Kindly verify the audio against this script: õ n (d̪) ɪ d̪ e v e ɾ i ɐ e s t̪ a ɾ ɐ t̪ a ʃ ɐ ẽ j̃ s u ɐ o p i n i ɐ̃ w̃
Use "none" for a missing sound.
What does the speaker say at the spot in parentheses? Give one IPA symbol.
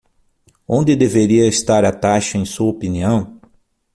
d̪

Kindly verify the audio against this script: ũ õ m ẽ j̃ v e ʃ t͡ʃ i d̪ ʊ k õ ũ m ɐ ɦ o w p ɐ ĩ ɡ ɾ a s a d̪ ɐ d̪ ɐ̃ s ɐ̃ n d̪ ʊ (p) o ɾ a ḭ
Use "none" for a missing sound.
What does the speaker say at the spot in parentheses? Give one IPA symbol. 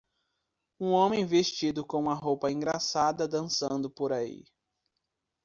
p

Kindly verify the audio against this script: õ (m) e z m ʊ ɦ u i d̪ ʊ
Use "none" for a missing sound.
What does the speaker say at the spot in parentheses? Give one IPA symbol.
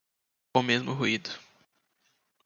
m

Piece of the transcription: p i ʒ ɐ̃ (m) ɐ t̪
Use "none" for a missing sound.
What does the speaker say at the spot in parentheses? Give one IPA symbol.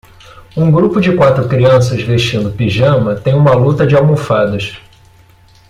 m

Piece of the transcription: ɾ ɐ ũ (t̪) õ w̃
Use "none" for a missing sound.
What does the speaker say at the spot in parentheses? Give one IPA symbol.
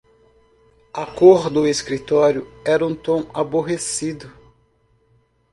t̪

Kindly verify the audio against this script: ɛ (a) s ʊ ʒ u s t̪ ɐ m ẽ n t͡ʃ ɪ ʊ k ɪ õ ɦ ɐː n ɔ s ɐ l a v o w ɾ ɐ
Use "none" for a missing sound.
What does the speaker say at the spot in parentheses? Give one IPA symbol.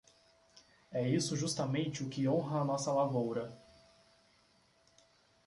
i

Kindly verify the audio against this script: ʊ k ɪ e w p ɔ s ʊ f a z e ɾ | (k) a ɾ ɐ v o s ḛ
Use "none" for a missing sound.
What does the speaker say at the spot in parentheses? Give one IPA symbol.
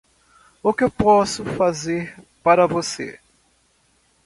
p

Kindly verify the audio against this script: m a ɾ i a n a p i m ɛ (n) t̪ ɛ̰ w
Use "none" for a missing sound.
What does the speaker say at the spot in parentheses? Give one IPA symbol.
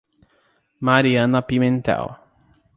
n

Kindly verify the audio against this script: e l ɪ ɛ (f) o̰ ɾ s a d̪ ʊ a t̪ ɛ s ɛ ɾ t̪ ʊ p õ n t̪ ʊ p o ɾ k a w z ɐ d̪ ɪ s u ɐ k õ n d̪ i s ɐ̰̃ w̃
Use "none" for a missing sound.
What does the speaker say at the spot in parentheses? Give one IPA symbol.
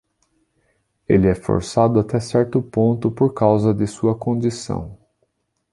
f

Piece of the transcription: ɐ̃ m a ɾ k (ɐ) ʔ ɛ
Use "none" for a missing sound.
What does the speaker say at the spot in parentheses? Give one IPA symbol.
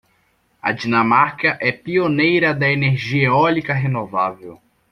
ɐ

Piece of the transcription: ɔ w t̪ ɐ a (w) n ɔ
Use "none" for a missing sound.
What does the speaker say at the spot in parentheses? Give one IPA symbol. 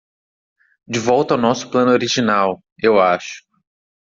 w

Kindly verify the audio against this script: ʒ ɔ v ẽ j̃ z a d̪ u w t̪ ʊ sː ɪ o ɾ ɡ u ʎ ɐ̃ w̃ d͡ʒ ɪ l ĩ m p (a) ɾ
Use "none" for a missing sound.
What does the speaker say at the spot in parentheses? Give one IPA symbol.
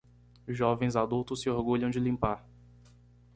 a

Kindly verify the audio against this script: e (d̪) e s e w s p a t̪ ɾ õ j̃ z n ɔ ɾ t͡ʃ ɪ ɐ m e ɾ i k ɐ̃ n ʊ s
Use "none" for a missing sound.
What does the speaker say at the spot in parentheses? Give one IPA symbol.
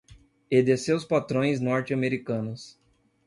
d̪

